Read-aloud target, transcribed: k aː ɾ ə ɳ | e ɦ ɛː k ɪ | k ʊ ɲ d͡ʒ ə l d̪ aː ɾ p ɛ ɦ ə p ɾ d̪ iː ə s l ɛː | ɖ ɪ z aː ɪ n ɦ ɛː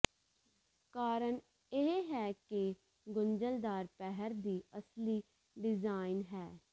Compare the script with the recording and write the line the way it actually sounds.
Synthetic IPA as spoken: k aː ɾ ə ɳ | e ɦ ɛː k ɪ | ɡ ʊ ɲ d͡ʒ ə l d̪ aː ɾ p ɛ ɦ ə ɾ d̪ iː ə s l iː | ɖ ɪ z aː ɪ n ɦ ɛː

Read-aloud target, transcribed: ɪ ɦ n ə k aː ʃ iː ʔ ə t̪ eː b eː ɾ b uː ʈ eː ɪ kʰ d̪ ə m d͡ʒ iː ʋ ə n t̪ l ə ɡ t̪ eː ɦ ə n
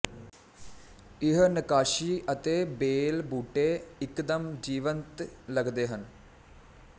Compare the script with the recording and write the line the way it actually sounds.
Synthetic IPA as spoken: ɪ ɦ n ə k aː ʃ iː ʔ ə t̪ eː b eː l b uː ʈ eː ɪ k d̪ ə m d͡ʒ iː ʋ ə n t̪ l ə ɡ d̪ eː ɦ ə n

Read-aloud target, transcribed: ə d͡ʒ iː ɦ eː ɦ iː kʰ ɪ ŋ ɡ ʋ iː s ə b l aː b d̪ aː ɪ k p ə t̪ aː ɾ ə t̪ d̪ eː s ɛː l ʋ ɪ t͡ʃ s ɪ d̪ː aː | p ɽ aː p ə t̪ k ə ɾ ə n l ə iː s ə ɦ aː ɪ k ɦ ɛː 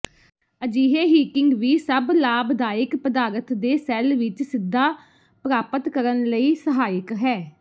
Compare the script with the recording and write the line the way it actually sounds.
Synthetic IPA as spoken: ə d͡ʒ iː ɦ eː ɦ iː k ɪ ŋ ɡ ʋ iː s ə b l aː b d̪ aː ɪ k p ə d̪ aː ɾ ə t̪ d̪ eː s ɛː l ʋ ɪ t͡ʃ s ɪ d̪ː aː | p ɾ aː p ə t̪ k ə ɾ ə n l ə iː s ə ɦ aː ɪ k ɦ ɛː

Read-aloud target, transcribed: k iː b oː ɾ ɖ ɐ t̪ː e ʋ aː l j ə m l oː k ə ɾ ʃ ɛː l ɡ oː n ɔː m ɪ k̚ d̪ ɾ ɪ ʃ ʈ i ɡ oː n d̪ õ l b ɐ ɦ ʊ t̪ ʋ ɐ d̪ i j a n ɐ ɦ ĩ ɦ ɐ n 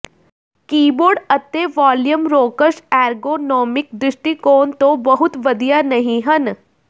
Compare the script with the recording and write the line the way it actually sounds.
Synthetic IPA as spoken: k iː b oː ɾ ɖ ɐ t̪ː e ʋ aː l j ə m ɾ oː k ə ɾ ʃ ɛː ɾ ɡ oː n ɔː m ɪ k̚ d̪ ɾ ɪ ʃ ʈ i k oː n t̪ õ b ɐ ɦ ʊ t̪ ʋ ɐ d̪ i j a n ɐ ɦ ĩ ɦ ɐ n

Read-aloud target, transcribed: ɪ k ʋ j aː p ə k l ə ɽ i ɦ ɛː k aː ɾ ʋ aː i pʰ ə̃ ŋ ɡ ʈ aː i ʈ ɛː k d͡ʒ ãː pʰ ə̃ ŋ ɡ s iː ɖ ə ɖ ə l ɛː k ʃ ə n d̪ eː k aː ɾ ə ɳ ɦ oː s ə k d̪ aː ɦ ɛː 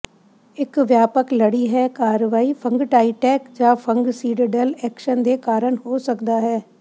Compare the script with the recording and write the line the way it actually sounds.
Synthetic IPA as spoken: ɪ k ʋ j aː p ə k l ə ɽ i ɦ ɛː k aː ɾ ʋ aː i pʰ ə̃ ŋ ɡ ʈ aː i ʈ ɛː k d͡ʒ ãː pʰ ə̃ ŋ ɡ s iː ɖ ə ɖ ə l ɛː k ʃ ə n d̪ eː k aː ɾ ə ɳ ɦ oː s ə k d̪ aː ɦ ɛː

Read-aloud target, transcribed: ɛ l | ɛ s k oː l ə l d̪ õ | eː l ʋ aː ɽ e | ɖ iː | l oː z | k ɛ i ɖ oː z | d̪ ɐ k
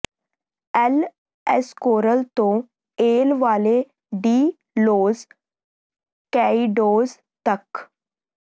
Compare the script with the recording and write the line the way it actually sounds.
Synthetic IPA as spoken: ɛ l | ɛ s k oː ɾ ə l t̪ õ | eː l ʋ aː l e | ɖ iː | l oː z | k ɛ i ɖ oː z | t̪ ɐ k

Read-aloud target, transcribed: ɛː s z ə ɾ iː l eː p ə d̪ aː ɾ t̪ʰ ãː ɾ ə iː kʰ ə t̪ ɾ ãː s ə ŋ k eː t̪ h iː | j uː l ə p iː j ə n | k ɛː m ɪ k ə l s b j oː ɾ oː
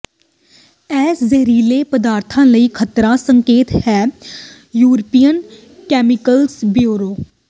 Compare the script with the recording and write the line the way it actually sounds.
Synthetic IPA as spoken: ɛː s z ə ɾ iː l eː p ə d̪ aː ɾ t̪ʰ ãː l ə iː kʰ ə t̪ ɾ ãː s ə ŋ k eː t̪ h ɛː | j uː ɾ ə p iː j ə n | k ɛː m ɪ k ə l s b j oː ɾ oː

